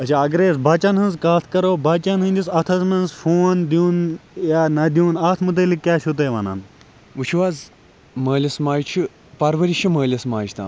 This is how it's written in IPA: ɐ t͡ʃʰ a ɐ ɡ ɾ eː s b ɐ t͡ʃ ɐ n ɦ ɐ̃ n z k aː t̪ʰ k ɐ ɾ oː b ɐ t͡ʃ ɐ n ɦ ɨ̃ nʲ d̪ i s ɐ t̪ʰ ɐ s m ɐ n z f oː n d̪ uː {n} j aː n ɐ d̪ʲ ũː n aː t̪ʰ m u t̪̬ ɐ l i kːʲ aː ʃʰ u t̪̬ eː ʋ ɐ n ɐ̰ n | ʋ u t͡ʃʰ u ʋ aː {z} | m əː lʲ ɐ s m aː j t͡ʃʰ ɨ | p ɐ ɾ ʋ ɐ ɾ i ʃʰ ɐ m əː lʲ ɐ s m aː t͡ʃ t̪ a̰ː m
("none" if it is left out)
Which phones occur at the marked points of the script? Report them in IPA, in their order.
n, z

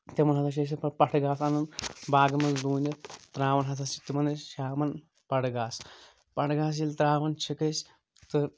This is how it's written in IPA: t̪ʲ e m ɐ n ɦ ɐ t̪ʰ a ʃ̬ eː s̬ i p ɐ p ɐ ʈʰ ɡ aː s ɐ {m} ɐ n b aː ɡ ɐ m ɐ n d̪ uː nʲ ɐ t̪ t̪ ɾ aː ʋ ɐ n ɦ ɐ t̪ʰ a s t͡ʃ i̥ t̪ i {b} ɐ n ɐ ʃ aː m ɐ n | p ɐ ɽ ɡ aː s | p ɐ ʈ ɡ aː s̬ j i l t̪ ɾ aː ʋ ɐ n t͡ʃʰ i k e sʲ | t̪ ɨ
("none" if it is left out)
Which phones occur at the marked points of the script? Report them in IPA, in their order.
n, m

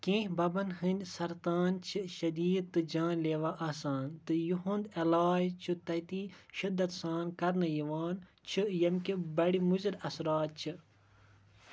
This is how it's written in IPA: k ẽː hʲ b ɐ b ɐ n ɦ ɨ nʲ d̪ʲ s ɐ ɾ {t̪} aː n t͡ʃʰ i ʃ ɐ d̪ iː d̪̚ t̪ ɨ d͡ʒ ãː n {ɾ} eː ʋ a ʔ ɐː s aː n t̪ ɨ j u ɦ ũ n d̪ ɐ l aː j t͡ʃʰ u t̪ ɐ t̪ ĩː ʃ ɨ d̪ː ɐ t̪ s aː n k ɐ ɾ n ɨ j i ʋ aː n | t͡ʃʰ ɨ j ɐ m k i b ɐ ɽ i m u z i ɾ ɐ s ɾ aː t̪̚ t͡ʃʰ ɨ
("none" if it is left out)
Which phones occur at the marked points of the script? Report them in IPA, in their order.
t̪, l

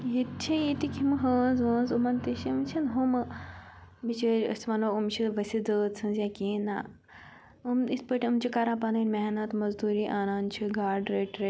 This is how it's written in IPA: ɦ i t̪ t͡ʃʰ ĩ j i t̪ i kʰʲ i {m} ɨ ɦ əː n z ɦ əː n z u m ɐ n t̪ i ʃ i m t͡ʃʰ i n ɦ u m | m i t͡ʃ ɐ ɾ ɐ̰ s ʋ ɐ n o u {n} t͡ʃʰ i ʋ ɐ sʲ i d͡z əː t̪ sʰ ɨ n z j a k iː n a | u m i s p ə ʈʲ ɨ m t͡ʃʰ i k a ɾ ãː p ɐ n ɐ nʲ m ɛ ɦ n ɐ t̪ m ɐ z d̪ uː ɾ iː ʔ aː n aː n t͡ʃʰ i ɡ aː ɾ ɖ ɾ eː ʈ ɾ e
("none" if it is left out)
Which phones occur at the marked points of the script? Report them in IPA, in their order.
m, m

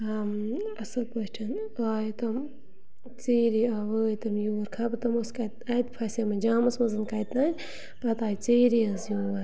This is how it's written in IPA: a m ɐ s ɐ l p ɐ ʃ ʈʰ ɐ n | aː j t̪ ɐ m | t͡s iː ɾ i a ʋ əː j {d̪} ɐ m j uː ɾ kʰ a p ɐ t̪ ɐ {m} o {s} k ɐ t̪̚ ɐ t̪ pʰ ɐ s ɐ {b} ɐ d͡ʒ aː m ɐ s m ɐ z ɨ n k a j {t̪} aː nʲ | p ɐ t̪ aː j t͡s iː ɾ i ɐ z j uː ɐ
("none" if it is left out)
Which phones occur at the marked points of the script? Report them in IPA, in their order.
t̪, m, s, m, t̪

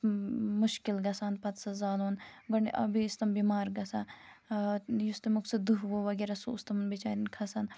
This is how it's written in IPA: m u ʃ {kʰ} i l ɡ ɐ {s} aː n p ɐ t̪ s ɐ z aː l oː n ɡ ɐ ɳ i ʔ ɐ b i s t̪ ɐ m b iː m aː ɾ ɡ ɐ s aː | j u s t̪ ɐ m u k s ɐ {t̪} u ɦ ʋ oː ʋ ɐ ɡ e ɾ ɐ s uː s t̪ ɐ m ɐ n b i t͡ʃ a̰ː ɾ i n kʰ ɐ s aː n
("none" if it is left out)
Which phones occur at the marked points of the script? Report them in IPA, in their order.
k, s, d̪

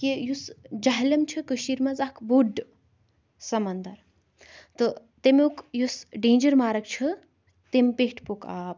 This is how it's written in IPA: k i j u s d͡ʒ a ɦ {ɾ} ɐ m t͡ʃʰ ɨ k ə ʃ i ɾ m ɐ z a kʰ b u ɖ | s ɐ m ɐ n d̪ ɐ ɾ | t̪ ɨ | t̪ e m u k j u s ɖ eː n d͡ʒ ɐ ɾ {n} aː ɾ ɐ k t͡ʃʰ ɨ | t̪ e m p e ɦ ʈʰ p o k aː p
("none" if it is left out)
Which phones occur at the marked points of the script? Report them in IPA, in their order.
l, m

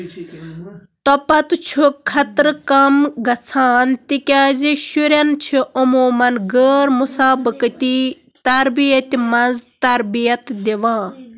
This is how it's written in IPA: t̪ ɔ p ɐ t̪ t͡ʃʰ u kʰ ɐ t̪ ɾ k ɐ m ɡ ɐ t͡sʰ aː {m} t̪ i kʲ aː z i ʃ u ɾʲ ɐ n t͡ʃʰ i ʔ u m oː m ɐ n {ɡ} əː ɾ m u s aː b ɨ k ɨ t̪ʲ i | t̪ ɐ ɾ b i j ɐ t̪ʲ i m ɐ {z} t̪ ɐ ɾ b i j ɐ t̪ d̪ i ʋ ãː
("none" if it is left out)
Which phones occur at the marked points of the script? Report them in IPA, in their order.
n, ɡ, z

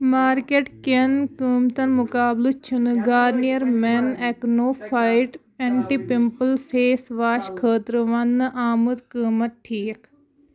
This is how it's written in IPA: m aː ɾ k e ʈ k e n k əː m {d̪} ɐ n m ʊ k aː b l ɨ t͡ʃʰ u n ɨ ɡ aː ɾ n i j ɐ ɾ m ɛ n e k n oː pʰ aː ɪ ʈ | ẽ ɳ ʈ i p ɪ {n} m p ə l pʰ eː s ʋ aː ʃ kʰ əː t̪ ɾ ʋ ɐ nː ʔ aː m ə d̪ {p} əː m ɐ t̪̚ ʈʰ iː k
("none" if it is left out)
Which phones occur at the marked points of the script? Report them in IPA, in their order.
t̪, none, k

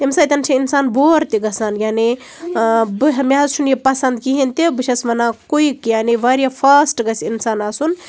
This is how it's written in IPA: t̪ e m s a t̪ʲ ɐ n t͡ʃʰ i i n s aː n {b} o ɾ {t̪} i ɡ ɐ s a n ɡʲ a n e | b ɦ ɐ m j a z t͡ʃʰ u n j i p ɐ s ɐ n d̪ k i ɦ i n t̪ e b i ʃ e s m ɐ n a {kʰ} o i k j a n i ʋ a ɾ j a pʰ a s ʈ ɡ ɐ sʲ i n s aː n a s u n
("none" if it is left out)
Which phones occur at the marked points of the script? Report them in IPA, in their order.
b, t̪, k

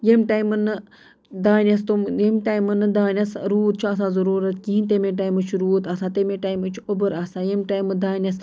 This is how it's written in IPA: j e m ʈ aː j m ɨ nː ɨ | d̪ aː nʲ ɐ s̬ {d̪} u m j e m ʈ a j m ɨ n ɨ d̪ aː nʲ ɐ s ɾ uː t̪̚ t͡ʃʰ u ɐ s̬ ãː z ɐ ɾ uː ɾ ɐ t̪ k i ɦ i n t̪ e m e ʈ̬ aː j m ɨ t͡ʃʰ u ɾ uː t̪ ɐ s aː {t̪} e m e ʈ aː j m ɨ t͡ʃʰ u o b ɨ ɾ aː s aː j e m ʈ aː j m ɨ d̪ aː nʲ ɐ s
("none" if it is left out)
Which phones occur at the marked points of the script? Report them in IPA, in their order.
t̪, t̪

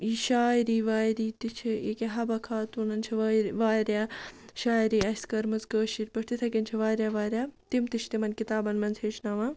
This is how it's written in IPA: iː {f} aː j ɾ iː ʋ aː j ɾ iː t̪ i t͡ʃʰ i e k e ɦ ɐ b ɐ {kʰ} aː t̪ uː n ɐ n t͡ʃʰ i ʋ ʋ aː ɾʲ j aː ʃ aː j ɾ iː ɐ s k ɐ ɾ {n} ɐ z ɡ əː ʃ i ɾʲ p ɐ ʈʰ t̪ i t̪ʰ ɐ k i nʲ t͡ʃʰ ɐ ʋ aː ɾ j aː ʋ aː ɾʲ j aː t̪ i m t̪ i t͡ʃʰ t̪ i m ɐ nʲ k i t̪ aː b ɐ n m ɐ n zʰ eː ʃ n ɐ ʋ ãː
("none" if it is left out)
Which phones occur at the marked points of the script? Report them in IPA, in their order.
ʃ, kʰ, m

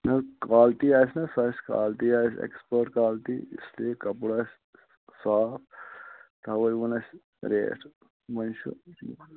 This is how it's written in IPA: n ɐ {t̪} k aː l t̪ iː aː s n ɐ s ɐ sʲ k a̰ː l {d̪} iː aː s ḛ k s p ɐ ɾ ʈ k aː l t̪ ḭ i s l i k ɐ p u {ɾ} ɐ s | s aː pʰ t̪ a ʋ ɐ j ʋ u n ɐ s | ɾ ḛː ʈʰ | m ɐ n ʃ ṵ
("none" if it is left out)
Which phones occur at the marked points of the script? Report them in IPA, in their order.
none, t̪, ɽ

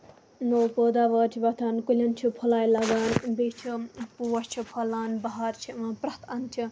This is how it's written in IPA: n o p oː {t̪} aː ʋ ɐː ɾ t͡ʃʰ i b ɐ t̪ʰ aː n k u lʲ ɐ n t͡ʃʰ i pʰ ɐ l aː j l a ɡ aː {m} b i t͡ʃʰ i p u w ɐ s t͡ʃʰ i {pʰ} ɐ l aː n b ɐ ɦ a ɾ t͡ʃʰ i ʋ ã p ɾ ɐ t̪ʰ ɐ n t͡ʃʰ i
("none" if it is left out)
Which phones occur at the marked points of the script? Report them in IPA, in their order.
d̪, n, pʰ

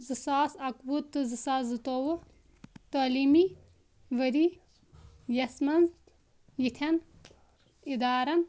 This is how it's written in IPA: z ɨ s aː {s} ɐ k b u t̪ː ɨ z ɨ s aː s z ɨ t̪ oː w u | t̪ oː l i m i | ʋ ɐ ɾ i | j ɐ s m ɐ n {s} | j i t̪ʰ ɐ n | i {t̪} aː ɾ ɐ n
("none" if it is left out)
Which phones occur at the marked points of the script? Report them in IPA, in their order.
s, z, d̪

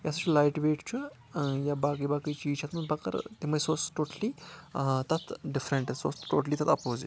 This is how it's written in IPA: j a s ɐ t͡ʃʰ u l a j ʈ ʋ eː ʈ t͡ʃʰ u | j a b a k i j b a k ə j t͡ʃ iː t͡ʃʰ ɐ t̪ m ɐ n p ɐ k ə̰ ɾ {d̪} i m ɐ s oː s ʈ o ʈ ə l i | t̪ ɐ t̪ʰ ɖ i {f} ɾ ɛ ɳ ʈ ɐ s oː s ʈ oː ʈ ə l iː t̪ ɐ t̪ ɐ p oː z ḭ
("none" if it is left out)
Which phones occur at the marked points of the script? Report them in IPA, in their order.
t̪, f

